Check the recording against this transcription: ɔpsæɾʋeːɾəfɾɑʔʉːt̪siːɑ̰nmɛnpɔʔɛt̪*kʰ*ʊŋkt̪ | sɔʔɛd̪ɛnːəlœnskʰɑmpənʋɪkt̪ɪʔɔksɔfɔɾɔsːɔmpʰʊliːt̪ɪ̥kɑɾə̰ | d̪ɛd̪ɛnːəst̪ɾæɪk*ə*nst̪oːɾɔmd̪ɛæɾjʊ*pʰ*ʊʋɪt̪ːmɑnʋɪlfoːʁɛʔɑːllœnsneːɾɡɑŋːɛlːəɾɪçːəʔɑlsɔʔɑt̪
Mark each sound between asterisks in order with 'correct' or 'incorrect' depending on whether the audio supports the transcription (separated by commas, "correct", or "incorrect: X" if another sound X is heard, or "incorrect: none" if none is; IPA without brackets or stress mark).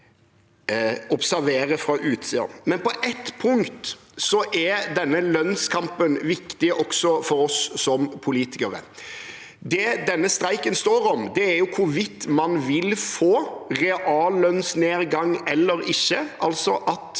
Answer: incorrect: pʰ, correct, incorrect: kʰ